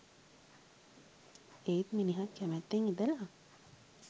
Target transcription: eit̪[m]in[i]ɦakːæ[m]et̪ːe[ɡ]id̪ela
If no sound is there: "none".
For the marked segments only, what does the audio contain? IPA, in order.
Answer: m, i, m, ŋ

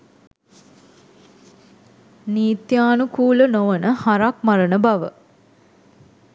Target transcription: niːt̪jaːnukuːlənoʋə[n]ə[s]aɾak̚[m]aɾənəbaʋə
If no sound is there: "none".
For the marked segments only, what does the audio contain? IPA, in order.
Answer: n, h, m

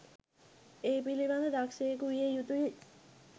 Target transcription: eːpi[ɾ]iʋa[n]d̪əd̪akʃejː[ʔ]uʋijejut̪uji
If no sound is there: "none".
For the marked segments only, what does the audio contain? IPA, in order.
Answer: l, n, k

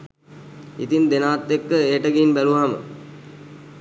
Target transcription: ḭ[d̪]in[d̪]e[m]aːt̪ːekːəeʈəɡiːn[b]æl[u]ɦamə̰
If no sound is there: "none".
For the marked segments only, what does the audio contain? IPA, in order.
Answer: t̪, d̪, n, b, u

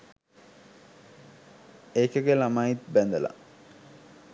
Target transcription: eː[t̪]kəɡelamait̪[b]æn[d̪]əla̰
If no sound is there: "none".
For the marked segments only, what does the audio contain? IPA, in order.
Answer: none, b, d̪

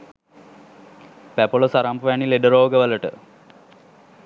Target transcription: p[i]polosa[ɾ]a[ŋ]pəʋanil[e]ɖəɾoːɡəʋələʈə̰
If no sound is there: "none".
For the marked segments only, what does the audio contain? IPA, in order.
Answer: æ, ɾ, m, e

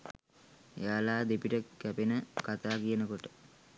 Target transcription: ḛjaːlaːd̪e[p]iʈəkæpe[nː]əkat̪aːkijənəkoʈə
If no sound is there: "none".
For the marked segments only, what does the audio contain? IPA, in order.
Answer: p, n

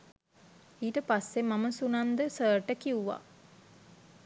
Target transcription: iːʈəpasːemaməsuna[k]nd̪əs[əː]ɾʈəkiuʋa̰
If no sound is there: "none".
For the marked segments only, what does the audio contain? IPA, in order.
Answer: none, əː

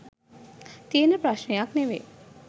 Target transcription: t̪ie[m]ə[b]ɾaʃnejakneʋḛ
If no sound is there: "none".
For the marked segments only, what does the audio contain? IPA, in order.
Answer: n, p

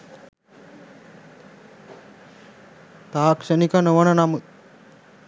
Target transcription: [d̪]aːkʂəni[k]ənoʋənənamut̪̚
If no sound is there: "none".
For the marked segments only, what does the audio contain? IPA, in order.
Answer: t̪, k

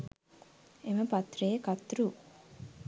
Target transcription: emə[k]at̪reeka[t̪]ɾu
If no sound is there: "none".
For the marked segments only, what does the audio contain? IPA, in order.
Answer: p, t̪

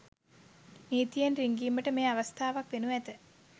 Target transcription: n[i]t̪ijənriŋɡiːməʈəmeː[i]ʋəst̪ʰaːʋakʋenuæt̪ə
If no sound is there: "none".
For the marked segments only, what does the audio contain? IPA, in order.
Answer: iː, a

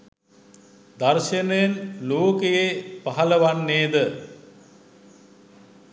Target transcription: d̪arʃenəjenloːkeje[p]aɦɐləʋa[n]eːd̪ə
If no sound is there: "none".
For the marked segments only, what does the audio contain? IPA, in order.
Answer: p, nː

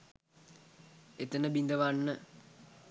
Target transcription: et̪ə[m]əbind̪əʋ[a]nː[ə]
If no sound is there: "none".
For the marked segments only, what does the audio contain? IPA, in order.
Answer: n, a, ə

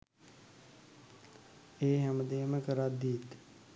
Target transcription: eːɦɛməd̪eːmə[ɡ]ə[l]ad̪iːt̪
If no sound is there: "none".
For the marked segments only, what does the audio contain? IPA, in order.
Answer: k, ɾ

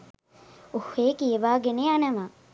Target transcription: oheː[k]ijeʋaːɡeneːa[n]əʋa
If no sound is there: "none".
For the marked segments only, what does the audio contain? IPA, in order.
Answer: k, n

